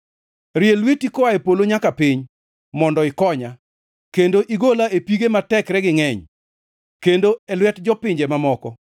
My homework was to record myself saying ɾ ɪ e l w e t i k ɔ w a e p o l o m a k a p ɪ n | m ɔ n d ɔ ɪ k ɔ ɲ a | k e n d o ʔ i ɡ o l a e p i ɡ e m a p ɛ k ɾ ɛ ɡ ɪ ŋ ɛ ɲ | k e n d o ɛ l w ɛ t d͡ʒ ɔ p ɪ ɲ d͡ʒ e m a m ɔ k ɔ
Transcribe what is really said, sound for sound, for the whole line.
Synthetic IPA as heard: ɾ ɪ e l w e t i k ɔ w a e p o l o ɲ a k a p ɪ ɲ | m ɔ n d ɔ ɪ k ɔ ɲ a | k e n d o ʔ i ɡ o l a e p i ɡ e m a t ɛ k ɾ ɛ ɡ ɪ ŋ ɛ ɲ | k e n d o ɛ l w ɛ t d͡ʒ ɔ p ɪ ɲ d͡ʒ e m a m ɔ k ɔ